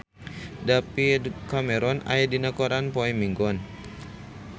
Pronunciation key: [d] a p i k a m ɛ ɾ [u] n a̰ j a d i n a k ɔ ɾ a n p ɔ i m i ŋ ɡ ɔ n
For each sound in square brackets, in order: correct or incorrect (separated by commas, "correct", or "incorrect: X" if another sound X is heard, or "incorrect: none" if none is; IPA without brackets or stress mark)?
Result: correct, incorrect: ɔ